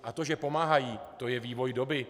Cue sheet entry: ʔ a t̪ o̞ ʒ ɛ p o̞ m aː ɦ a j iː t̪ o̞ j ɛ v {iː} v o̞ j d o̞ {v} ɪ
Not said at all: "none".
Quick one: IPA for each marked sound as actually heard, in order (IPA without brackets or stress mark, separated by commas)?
iː, b